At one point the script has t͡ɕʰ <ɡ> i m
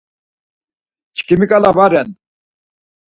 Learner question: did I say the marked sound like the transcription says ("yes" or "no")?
no